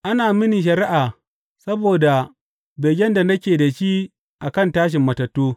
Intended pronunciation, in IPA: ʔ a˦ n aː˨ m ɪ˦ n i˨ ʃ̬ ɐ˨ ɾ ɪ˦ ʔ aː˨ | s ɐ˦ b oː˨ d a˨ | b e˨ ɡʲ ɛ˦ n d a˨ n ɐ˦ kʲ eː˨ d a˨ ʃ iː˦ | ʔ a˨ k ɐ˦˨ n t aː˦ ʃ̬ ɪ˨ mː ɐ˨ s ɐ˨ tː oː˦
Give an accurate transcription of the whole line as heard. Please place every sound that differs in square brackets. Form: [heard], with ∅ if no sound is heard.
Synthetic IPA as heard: ʔ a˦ n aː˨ m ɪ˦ n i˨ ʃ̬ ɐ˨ ɾ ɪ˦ ʔ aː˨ | s ɐ˦ b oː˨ d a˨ | b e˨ ɡʲ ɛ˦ n d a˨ n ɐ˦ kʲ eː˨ d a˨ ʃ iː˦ | ʔ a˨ k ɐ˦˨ n t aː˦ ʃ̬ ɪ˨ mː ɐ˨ [t] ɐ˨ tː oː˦